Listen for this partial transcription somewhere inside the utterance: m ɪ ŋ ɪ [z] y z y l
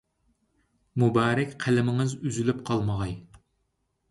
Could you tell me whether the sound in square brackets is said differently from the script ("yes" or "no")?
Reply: no